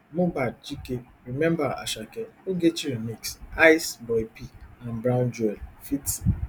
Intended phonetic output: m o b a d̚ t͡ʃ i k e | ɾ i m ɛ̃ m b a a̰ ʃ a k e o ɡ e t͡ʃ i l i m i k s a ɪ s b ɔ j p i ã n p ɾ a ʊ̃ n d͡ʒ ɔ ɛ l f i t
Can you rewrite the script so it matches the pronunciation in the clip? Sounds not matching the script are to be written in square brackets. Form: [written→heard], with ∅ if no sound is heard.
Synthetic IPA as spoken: m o b a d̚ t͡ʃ i k e | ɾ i m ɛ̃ m b a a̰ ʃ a k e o ɡ e t͡ʃ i [l→ɾ] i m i k s a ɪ s b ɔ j p i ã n [p→b] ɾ a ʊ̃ n d͡ʒ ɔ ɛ l f i t

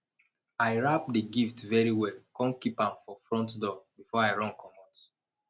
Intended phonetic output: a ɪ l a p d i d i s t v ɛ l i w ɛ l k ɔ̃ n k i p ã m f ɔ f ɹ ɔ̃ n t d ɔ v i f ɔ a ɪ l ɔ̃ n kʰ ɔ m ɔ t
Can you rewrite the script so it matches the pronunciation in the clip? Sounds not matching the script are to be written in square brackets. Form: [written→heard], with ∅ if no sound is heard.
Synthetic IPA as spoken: a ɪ [l→ɹ] a p d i [d→ɡ] i [s→f] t v ɛ [l→ɹ] i w ɛ l k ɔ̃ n k i p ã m f ɔ f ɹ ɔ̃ n t d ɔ [v→b] i f ɔ a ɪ [l→ɹ] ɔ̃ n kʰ ɔ m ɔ t

